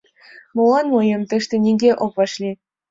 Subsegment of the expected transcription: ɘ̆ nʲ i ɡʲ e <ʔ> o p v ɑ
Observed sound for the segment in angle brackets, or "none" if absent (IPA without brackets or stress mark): ʔ